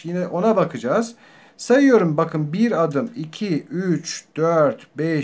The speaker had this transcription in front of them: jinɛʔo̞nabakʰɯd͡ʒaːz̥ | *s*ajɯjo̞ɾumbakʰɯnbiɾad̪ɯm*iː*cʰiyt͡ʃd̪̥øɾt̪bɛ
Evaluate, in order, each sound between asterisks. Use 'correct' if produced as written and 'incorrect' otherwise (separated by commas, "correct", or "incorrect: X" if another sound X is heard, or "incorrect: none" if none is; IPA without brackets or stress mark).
correct, incorrect: i